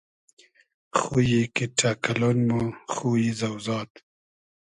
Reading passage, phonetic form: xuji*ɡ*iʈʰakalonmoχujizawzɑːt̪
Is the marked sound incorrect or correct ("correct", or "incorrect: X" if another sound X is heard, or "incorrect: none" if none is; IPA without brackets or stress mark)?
incorrect: k